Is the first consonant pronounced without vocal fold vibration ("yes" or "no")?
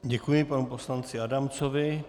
no